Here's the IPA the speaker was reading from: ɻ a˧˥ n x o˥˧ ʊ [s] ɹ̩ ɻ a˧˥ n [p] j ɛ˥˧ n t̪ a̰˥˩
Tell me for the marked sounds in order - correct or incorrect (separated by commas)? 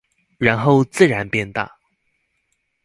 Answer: incorrect, correct